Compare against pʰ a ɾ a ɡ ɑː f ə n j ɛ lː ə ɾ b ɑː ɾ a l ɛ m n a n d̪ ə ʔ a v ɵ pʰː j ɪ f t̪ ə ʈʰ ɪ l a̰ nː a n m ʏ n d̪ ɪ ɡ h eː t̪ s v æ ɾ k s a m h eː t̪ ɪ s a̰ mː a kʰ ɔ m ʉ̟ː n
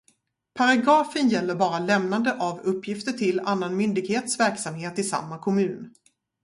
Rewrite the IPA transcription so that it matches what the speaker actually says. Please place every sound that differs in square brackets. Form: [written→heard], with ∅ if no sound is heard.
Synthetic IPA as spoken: pʰ a ɾ a ɡ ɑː f ə n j ɛ lː ə ɾ b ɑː ɾ a l ɛ m n a n d̪ ə ʔ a v ɵ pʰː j ɪ f t̪ ə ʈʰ ɪ l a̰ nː a n m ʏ n d̪ ɪ ɡ h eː t̪ s v æ ɾ k s a m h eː t̪ ɪ s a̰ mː a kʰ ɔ m ʉ̟ː n

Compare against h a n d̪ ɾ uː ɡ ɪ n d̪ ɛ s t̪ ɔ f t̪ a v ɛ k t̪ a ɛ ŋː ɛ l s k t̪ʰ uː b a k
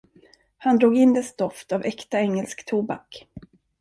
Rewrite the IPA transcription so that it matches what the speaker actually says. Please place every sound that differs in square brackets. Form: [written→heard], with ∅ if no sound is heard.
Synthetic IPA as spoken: h a n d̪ ɾ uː ɡ ɪ n d̪ ɛ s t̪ ɔ f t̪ a v ɛ k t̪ a ɛ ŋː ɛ l s k t̪ʰ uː b a k

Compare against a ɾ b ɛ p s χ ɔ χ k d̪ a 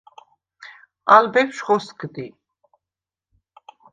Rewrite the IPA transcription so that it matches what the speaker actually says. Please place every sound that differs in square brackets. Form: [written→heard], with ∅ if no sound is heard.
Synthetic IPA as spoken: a [ɾ→l] b ɛ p [s→ʃ] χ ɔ [χ→s] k d̪ [a→i]

